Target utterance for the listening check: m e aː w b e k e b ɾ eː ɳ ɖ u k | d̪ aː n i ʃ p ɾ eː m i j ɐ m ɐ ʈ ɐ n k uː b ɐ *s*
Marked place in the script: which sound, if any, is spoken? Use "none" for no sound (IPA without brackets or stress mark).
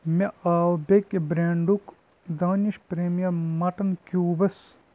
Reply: s